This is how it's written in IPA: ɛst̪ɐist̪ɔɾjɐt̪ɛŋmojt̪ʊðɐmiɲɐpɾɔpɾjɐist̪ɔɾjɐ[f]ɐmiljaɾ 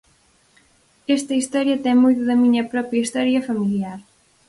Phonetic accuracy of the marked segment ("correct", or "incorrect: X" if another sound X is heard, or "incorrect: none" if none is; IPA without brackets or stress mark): correct